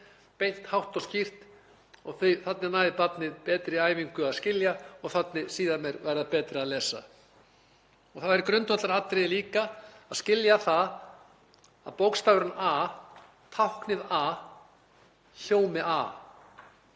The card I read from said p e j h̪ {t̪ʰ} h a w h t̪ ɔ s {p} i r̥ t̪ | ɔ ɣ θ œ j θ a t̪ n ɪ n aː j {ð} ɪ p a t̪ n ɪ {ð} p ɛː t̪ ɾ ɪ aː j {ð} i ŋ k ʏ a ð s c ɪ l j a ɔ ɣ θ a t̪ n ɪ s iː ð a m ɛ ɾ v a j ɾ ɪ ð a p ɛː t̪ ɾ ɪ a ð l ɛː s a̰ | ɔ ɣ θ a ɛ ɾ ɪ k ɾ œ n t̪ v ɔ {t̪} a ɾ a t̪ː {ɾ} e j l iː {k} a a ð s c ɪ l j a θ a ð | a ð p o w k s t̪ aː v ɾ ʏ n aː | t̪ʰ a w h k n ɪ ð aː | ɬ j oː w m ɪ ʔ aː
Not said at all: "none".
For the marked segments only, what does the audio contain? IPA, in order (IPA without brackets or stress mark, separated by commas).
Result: t̪, c, ð, ð, v, t̪, ɾ, k